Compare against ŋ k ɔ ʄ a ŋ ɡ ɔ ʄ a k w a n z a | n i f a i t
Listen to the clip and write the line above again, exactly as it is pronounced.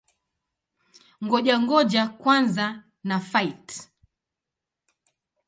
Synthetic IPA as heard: ŋ ɡ ɔ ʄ a ŋ ɡ ɔ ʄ a k w a n z a | n a f a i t